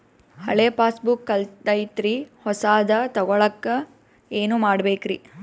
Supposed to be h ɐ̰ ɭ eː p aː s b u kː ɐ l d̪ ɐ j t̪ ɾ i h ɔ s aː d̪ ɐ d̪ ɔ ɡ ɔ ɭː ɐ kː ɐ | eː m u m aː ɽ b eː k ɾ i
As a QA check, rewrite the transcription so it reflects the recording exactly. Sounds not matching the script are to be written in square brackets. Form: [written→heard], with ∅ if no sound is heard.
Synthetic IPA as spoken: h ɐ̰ ɭ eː p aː s b u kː ɐ l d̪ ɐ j t̪ ɾ i h ɔ s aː d̪ ɐ [d̪→t̪] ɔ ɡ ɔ [ɭː→ɭ] ɐ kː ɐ | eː [m→n] u m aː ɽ b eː k ɾ i